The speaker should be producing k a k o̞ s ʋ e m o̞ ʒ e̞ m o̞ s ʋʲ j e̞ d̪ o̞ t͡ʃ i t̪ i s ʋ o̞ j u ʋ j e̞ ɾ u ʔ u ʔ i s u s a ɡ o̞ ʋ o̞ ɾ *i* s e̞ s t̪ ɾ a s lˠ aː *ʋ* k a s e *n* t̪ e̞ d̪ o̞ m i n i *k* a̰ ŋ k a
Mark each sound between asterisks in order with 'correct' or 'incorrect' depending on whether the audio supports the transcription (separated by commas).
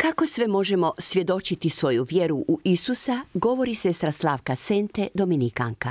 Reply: correct, correct, correct, correct